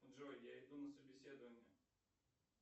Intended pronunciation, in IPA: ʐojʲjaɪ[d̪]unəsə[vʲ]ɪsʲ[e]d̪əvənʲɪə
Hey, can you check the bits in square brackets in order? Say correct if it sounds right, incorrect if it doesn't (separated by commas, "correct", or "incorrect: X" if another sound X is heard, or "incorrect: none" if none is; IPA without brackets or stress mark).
correct, incorrect: bʲ, correct